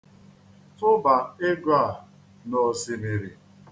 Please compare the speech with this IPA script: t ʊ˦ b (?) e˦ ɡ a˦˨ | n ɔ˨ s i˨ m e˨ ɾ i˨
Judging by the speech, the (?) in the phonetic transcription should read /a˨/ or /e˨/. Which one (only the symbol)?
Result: a˨